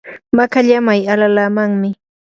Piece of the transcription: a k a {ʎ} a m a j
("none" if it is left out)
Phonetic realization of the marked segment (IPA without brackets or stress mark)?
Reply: ʎ